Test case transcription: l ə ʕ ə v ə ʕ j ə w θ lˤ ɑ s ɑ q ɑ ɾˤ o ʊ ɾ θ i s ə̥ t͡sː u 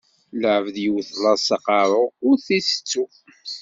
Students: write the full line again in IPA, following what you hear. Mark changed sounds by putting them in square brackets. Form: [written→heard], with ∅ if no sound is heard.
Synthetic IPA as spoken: l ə ʕ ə v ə [ʕ→ð] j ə w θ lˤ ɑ s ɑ q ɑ ɾˤ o ʊ ɾ θ i s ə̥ t͡sː u